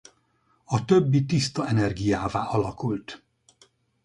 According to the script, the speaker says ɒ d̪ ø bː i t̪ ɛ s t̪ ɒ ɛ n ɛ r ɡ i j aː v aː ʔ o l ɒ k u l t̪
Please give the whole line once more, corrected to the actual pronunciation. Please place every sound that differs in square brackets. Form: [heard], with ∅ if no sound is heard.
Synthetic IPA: ɒ [t̪] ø bː i t̪ [i] s t̪ ɒ ɛ n ɛ r ɡ i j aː v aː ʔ [ɒ] l ɒ k u l t̪